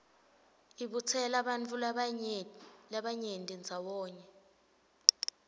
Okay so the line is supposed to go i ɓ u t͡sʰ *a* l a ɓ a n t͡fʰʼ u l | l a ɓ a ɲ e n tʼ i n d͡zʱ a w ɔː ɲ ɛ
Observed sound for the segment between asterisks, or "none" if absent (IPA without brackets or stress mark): ɛ